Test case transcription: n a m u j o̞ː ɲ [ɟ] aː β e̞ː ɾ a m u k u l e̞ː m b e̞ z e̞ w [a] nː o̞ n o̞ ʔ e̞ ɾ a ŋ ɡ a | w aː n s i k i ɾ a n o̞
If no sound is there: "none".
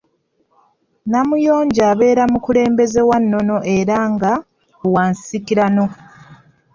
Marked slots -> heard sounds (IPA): ɟ, a

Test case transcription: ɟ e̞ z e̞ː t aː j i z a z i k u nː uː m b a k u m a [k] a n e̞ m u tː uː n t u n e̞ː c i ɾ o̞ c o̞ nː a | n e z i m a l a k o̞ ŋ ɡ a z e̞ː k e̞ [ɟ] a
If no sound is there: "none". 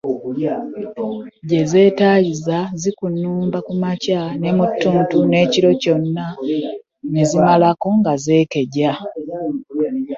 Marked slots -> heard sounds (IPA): c, ɟ

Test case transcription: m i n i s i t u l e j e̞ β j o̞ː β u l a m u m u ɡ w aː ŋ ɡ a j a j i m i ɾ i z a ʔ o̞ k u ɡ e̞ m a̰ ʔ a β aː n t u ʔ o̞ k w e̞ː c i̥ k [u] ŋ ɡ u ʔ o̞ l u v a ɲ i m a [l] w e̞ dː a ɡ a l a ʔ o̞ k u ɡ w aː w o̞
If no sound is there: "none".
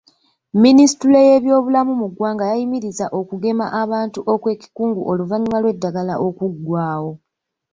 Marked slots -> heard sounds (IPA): uː, l

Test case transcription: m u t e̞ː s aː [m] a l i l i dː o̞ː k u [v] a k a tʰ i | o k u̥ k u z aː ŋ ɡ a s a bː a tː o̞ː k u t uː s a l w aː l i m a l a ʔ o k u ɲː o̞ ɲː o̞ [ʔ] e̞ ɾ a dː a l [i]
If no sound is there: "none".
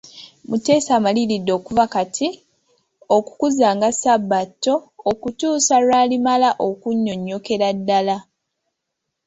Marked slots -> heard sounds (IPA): m, v, k, a

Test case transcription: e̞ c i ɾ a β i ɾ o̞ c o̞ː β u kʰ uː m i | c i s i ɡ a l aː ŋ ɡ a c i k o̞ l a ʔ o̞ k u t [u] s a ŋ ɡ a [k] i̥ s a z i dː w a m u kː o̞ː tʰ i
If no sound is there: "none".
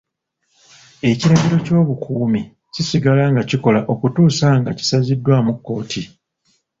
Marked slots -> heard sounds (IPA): uː, c

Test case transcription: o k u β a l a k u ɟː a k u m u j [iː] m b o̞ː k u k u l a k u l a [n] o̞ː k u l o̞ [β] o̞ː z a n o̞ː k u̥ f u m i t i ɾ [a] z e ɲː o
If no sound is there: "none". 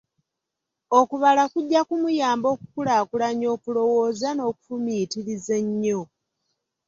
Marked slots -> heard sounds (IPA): aː, ɲ, w, i

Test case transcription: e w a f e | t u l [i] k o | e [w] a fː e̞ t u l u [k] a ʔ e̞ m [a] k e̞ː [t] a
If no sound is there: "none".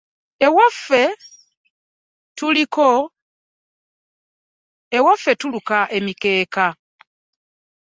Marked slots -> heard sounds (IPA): i, w, k, i, k

